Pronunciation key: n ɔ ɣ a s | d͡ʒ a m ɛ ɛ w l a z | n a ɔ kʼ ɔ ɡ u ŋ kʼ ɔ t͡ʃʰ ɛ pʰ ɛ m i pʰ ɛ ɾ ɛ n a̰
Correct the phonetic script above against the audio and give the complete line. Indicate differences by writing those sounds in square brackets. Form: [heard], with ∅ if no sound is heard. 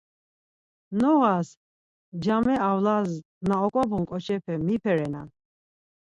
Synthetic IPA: n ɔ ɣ a s | d͡ʒ a m ɛ [a] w l a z | n a ɔ kʼ ɔ [b] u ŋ kʼ ɔ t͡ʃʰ ɛ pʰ ɛ m i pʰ ɛ ɾ ɛ n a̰